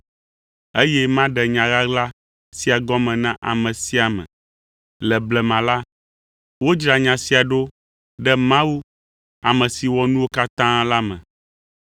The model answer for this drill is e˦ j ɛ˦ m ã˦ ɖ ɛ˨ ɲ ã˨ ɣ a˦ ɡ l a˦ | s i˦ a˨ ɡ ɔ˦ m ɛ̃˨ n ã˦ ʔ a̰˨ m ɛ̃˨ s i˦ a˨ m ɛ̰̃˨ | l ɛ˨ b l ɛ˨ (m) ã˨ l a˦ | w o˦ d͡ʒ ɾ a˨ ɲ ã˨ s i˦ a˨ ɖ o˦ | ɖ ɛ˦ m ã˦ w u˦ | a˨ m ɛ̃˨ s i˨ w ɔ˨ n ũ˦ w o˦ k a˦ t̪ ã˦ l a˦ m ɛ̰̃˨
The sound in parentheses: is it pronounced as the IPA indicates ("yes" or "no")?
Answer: yes